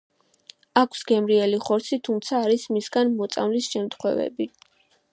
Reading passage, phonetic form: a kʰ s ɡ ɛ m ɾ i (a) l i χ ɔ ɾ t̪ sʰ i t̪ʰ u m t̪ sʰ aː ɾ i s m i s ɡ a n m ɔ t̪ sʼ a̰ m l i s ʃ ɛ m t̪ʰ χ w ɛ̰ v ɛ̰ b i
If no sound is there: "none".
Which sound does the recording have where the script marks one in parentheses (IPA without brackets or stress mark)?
ɛ